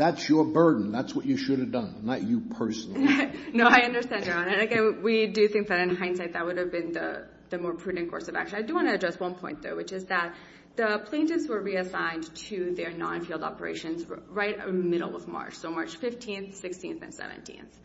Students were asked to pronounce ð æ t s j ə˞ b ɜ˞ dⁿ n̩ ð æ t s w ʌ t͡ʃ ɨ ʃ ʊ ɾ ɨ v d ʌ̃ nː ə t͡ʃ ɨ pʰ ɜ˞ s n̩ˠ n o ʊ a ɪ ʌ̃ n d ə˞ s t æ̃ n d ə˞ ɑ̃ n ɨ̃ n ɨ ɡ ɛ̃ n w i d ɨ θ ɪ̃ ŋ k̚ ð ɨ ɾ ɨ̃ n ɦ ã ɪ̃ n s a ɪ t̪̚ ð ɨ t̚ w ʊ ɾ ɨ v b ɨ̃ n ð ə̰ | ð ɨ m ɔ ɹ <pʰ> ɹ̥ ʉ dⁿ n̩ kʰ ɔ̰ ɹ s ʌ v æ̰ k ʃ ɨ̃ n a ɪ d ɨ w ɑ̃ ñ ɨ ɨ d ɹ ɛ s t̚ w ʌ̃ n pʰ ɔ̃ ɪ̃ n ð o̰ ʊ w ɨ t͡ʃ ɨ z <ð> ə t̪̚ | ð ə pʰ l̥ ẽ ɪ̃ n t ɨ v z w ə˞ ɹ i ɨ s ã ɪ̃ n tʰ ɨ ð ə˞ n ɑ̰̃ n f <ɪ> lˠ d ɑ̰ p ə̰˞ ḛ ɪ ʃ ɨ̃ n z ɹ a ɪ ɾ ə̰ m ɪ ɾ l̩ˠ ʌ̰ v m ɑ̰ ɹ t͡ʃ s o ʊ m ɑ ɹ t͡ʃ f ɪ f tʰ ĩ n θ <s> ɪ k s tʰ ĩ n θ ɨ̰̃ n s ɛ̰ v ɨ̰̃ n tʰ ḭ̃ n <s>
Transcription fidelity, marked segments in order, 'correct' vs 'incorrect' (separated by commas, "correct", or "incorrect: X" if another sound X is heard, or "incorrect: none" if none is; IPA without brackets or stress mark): correct, correct, incorrect: i, correct, incorrect: θ